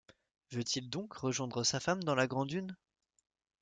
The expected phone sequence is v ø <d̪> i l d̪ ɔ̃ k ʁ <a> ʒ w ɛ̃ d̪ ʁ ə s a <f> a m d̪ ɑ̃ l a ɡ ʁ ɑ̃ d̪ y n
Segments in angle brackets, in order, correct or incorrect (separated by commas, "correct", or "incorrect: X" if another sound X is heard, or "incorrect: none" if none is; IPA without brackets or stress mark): incorrect: t̪, incorrect: ə, correct